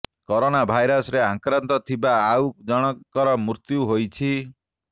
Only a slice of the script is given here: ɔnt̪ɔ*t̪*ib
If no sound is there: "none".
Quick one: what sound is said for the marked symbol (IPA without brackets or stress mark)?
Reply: t̪ʰ